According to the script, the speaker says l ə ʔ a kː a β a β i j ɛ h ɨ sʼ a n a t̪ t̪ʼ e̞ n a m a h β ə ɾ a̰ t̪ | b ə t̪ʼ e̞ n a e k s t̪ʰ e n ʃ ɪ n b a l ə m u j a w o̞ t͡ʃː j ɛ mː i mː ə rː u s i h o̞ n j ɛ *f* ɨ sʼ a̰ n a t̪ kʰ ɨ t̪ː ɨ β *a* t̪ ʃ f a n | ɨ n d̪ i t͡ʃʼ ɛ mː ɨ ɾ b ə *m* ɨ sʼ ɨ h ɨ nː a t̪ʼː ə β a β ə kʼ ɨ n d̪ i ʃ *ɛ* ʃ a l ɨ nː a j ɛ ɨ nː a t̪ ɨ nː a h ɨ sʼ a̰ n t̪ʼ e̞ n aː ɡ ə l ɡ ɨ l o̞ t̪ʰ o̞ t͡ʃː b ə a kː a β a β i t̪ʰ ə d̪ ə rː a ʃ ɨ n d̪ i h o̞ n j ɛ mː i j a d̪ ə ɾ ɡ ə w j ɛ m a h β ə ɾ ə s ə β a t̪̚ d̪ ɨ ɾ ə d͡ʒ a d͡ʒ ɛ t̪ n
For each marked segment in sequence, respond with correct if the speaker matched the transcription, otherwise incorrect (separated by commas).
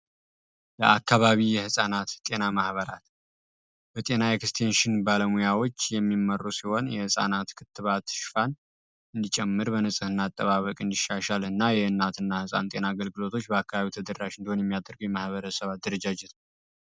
incorrect, correct, incorrect, incorrect